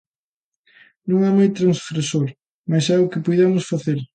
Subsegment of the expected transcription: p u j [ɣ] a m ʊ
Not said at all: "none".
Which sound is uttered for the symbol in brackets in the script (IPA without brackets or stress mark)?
ð